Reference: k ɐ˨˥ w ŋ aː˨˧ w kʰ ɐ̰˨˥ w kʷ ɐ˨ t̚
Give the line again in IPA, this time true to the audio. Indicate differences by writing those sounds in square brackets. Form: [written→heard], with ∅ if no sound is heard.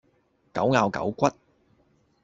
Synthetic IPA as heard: k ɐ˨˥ w ŋ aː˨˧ w [kʰ→k] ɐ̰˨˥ w kʷ [ɐ˨→ɐ˥] t̚